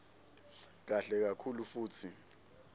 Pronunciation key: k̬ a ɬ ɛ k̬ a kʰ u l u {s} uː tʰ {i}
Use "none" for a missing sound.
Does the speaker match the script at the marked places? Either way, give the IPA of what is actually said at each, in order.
f, i

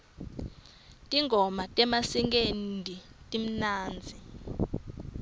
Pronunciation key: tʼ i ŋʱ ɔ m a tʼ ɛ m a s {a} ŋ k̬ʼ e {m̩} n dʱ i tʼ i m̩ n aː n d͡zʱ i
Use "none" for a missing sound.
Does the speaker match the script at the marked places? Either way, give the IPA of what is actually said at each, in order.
i, none

